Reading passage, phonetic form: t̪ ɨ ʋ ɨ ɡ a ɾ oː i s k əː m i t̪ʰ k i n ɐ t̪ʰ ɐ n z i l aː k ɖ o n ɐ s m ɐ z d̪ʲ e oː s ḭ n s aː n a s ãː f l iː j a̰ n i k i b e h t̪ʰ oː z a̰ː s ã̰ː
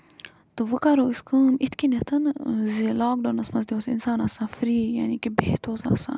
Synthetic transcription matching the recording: t̪ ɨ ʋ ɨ k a ɾ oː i s k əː m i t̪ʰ k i n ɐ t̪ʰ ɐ n z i l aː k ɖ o n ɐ s m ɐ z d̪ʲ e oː s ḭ n s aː n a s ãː f ɾ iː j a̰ n i k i b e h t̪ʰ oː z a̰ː s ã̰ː